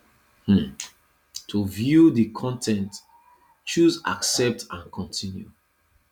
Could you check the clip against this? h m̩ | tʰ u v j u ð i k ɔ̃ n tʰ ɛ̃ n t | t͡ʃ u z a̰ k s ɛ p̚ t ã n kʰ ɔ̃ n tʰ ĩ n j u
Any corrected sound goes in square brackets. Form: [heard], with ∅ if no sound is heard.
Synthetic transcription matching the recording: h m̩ | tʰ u v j u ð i [kʰ] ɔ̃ n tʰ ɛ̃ n t | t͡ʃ u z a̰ k s ɛ p̚ t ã n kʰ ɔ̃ n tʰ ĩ n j u